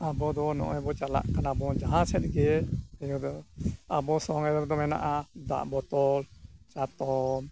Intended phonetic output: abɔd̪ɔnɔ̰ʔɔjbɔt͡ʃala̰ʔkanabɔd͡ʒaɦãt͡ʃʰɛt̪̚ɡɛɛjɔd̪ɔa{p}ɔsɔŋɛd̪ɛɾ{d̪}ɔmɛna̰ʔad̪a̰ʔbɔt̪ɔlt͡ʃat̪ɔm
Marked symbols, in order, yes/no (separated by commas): no, yes